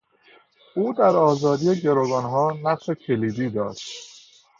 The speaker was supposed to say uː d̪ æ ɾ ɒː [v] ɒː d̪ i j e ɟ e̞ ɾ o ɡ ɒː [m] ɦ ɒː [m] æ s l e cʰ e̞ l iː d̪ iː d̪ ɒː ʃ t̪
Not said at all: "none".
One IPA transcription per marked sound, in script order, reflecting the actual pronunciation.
z, n, n

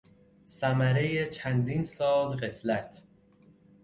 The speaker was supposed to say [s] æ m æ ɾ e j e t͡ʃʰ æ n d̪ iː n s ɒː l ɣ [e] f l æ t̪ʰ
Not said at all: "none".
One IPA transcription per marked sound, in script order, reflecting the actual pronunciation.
s, e

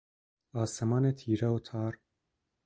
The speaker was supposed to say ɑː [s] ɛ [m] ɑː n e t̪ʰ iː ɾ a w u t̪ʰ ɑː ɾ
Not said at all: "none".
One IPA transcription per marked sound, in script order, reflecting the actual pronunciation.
s, m

